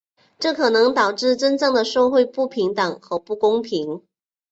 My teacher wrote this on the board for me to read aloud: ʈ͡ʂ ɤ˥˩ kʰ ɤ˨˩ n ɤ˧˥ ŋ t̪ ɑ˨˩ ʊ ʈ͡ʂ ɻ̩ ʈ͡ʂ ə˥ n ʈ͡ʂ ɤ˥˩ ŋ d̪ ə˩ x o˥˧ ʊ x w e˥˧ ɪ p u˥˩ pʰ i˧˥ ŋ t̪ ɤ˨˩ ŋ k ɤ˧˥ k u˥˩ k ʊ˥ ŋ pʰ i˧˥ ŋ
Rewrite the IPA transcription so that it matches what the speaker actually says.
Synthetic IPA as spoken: ʈ͡ʂ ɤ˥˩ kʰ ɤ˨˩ n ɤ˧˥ ŋ t̪ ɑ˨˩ ʊ ʈ͡ʂ ɻ̩ ʈ͡ʂ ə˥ n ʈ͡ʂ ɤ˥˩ ŋ d̪ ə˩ ʂ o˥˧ ʊ x w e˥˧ ɪ p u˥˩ pʰ i˧˥ ŋ t̪ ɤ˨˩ ŋ x ɤ˧˥ p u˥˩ k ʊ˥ ŋ pʰ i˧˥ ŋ

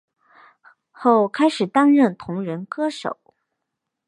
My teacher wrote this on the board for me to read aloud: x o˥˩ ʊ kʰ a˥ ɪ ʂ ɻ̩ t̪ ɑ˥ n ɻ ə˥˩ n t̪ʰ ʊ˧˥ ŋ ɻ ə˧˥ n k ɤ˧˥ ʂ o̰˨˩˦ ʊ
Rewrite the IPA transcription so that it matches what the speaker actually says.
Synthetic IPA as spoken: x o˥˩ ʊ kʰ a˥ ɪ ʂ ɻ̩ t̪ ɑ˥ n ɻ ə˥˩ n t̪ʰ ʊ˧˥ ŋ ɻ ə˧˥ n k ɤ˥ ʂ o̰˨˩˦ ʊ

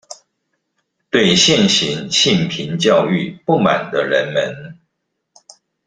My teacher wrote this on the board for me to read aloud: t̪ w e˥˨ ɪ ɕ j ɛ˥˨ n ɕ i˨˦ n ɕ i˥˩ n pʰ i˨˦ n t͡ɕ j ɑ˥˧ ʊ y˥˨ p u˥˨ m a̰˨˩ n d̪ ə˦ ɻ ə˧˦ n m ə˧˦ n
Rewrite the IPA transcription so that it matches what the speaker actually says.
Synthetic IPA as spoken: t̪ w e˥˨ ɪ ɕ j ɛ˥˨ n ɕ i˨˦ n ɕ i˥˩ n pʰ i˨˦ n t͡ɕ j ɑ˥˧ ʊ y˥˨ p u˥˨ m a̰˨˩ n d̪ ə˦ ɻ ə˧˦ n m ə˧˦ n

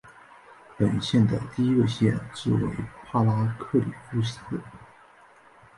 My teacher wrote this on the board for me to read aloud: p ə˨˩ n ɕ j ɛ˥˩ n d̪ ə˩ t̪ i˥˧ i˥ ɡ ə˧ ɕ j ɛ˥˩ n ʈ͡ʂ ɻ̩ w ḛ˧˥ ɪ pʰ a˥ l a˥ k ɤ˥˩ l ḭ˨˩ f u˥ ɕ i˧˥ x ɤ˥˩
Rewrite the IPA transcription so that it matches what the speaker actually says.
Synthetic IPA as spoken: p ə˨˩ n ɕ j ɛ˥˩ n d̪ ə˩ t̪ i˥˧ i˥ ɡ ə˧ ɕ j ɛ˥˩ n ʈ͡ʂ ɻ̩ w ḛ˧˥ ɪ pʰ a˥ l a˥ kʰ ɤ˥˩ l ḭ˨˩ f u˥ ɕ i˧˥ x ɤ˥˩

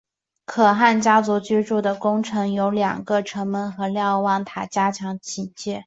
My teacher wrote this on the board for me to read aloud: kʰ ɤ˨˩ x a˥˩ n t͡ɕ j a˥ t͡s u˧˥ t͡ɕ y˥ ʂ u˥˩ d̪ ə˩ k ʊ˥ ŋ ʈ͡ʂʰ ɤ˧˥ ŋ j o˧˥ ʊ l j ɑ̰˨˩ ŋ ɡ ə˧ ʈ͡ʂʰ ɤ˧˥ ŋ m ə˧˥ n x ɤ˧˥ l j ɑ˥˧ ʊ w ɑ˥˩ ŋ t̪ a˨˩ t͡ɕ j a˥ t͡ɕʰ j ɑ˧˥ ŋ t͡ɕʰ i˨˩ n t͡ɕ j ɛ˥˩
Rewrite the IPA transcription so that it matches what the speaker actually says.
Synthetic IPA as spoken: kʰ ɤ˨˩ x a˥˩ n t͡ɕ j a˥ t͡s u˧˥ t͡ɕ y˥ ʈ͡ʂ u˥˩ d̪ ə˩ k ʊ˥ ŋ ʈ͡ʂʰ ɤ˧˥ ŋ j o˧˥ ʊ l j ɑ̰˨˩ ŋ ɡ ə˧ ʈ͡ʂʰ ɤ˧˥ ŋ m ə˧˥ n x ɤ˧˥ l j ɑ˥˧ ʊ w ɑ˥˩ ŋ t̪ʰ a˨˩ t͡ɕ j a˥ t͡ɕʰ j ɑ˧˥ ŋ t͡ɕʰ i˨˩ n t͡ɕ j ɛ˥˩

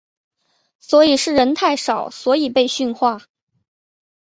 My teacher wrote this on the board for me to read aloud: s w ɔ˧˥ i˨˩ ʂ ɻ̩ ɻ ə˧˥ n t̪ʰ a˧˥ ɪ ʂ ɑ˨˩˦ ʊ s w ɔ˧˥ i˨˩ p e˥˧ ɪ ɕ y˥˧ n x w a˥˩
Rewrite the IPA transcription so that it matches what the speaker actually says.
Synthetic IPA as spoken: s w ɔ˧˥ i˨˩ ʂ ɻ̩ ɻ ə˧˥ n t̪ʰ a˥˩ ɪ ʂ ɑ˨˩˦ ʊ s w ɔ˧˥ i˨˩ p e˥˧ ɪ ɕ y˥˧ n x w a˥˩

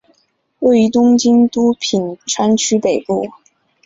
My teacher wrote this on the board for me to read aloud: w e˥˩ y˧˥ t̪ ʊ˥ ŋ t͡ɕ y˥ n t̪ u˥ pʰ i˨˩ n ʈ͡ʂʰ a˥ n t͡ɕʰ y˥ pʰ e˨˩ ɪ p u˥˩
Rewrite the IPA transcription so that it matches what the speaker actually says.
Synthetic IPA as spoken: w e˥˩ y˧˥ t̪ ʊ˥ ŋ t͡ɕ i˥ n t̪ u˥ pʰ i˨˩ n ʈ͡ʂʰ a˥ n t͡ɕʰ y˥ p e˨˩ ɪ p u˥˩

